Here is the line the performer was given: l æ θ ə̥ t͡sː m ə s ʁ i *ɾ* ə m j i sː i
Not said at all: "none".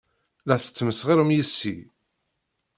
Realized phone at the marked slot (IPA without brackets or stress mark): ɾ